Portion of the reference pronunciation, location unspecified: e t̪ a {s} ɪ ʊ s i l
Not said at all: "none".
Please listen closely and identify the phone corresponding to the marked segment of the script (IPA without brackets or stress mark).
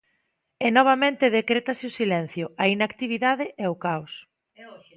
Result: s